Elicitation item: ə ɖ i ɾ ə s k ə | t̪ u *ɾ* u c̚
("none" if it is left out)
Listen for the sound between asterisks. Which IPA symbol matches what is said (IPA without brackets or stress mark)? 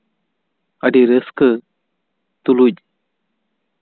l